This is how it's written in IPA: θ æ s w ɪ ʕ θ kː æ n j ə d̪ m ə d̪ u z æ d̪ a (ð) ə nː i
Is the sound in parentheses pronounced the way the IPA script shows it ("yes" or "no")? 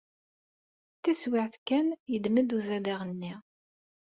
no